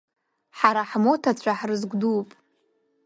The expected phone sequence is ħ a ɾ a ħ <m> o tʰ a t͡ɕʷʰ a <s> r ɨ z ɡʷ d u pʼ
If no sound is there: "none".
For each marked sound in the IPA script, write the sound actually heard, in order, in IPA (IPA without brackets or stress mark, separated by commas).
m, ħ